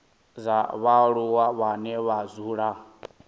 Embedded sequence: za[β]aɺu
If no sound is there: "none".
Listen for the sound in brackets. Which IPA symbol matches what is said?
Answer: β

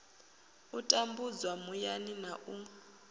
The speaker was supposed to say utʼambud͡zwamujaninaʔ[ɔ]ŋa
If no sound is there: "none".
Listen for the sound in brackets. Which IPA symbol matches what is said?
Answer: u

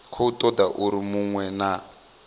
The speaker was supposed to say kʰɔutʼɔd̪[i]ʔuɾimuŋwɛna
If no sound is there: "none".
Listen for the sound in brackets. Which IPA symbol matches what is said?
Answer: a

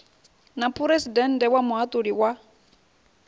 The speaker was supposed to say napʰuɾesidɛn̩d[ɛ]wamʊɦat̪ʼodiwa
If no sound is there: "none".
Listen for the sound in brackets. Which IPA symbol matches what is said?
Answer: ɛ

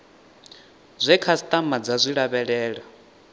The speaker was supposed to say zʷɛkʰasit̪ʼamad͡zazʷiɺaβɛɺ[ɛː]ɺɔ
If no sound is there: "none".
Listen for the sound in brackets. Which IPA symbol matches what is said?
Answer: ɛː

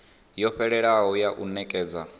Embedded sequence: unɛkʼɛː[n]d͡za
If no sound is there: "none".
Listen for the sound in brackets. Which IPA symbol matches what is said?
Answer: none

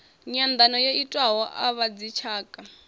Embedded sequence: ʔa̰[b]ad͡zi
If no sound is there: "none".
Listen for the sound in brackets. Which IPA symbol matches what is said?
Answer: β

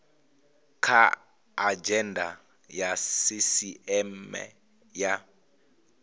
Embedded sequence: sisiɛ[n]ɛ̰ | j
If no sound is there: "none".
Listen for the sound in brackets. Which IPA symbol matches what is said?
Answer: m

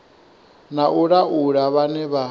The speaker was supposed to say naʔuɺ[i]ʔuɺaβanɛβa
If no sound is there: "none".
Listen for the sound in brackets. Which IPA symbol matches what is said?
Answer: a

